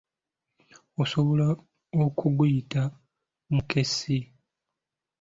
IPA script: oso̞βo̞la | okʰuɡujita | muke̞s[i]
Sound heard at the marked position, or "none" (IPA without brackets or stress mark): i